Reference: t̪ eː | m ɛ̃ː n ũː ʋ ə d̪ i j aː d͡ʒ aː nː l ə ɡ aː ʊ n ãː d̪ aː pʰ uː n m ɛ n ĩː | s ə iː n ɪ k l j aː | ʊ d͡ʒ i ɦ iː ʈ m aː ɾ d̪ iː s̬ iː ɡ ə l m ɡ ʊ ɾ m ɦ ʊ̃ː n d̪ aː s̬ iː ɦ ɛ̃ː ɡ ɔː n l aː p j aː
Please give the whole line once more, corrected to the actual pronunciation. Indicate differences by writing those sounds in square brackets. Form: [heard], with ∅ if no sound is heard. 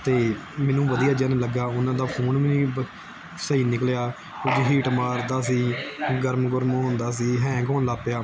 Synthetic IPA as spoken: t̪ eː | m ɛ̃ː n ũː ʋ ə d̪ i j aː d͡ʒ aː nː l ə ɡ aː ʊ n ãː d̪ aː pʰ uː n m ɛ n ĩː | s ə iː n ɪ k l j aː | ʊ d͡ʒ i ɦ iː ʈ m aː ɾ d̪ [aː] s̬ iː ɡ ə [ɾ] m ɡ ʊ ɾ m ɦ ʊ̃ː n d̪ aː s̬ iː ɦ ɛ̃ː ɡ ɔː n l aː p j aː